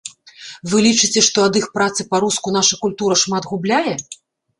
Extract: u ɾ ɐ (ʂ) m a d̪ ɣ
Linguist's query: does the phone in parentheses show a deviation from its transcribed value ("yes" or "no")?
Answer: no